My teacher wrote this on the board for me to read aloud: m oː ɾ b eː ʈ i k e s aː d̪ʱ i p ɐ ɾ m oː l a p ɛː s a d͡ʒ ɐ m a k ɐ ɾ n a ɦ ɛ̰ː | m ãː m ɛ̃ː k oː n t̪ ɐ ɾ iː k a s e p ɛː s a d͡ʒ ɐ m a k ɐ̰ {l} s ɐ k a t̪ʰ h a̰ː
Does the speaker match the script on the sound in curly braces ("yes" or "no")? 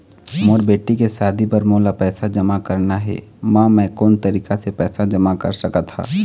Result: no